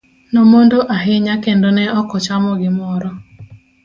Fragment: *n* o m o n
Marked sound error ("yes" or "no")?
no